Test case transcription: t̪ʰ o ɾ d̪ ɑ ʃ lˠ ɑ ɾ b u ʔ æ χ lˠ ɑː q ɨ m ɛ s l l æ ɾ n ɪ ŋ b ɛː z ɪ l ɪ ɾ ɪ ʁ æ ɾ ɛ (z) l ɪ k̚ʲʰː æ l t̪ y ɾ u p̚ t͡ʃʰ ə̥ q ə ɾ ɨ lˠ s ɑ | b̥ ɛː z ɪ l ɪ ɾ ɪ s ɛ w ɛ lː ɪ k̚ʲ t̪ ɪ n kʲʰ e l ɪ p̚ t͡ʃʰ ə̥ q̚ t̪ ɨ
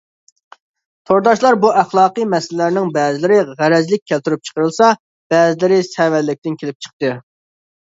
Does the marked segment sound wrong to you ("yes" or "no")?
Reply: no